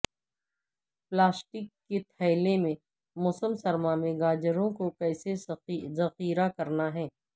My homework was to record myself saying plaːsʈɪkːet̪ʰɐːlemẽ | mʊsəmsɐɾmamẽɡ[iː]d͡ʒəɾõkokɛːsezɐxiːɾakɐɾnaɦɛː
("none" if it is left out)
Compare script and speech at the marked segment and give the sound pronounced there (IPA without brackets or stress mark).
aː